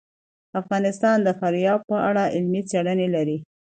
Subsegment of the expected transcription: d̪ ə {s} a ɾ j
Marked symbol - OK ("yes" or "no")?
no